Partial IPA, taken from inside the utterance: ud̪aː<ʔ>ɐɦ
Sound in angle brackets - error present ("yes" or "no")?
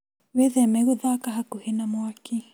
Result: yes